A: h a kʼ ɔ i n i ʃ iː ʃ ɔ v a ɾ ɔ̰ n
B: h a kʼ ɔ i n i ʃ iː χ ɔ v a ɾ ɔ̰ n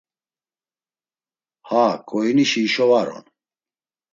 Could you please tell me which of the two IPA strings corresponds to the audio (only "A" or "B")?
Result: A